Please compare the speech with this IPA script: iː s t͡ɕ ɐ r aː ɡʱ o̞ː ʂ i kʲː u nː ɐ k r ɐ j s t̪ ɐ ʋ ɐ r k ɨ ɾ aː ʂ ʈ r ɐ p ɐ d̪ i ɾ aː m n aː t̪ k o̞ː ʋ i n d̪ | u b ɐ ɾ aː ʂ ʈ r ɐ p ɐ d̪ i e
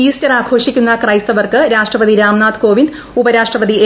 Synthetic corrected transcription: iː s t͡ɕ ɐ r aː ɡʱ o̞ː ʂ i kʲː u nː ɐ k r ɐ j s t̪ ɐ ʋ ɐ r k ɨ ɾ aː ʂ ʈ r ɐ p ɐ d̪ i ɾ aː m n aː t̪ k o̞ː ʋ i n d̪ | u b ɐ ɾ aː ʂ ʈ r ɐ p ɐ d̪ i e

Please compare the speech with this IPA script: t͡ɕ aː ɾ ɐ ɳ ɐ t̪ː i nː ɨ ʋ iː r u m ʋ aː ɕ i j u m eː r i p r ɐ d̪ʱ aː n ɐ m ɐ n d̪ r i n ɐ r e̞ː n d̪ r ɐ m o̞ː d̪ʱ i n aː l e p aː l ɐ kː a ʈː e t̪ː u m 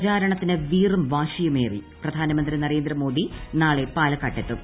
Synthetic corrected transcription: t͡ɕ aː ɾ ɐ ɳ ɐ t̪ː i n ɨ ʋ iː r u m ʋ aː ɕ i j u m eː r i p r ɐ d̪ʱ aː n ɐ m ɐ n d̪ r i n ɐ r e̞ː n d̪ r ɐ m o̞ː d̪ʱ i n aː ɭ e p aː l ɐ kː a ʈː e t̪ː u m

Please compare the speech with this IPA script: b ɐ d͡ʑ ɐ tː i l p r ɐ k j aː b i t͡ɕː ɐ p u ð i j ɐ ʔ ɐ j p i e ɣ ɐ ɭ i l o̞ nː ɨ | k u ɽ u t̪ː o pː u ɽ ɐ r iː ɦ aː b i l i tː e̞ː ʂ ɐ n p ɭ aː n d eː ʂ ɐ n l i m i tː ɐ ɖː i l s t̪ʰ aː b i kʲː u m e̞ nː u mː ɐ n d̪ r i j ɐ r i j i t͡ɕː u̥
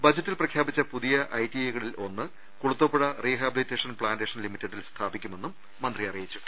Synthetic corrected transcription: b ɐ d͡ʑ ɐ tː i l p r ɐ kʰ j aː b i t͡ɕː ɐ p u ð i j ɐ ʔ ɐ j t i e ɣ ɐ ɭ i l o̞ nː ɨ | k u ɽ u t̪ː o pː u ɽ ɐ r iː ɦ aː b i l i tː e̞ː ʂ ɐ n p ɭ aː n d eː ʂ ɐ n l i m i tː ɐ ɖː i l s t̪ʰ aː b i kʲː u m e̞ nː u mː ɐ n d̪ r i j ɐ r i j i t͡ɕː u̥

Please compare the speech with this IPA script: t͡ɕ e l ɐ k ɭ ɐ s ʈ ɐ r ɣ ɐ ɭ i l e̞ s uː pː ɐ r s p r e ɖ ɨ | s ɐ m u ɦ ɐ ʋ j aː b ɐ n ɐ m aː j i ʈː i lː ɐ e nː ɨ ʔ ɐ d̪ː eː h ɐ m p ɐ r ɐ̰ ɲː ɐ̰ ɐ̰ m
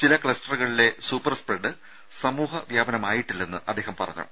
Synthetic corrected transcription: t͡ɕ i l ɐ k ɭ ɐ s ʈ ɐ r ɣ ɐ ɭ i l e̞ s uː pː ɐ r s p r e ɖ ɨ | s ɐ m uː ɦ ɐ ʋ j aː b ɐ n ɐ m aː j i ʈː i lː ɐ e nː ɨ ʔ ɐ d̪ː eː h ɐ m p ɐ r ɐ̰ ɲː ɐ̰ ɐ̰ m

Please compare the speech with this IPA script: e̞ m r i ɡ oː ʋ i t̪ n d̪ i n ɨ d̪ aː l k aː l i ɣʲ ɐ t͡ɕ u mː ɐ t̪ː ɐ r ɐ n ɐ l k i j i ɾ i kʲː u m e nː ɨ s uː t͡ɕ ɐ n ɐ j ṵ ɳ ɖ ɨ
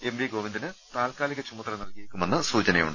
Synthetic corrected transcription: e̞ m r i ɡ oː ʋ i n d̪ i n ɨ t̪ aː l k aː l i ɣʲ ɐ t͡ɕ u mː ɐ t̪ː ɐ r ɐ n ɐ l k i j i ɾ i kʲː u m e nː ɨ s uː t͡ɕ ɐ n ɐ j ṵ ɳ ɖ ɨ

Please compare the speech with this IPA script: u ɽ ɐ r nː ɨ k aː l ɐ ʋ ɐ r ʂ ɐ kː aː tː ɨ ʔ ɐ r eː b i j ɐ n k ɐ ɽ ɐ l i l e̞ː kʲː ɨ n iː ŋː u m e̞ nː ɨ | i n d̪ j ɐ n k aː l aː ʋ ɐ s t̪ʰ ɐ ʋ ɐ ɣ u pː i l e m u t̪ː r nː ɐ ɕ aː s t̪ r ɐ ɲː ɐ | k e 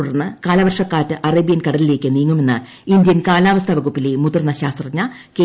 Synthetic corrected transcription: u ɽ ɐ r nː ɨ k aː l ɐ ʋ ɐ r ʂ ɐ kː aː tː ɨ ʔ ɐ r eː b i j ɐ n k ɐ ɽ ɐ l i l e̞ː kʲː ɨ n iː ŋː u m e̞ nː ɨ | i n d̪ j ɐ n k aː l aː ʋ ɐ s t̪ʰ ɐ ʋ ɐ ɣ u pː i l e m u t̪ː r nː ɐ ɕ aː s t̪ r ɐ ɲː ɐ | k e

